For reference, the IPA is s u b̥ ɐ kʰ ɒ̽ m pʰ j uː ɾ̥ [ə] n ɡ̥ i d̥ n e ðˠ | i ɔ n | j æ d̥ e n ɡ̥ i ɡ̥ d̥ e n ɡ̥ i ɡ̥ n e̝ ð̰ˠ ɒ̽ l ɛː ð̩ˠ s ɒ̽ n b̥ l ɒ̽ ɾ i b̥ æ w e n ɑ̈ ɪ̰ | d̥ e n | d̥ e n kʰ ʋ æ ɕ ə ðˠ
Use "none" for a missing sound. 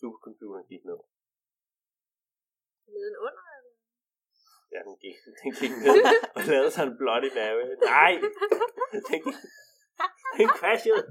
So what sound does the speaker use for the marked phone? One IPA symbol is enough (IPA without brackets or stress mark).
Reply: ɐ